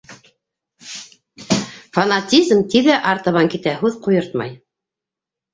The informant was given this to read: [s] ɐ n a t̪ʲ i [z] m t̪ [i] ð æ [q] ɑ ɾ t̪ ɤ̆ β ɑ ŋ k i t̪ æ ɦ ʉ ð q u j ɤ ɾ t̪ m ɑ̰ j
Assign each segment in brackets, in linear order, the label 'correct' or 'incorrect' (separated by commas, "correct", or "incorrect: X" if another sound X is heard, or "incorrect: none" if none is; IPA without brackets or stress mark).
incorrect: f, correct, correct, incorrect: ʔ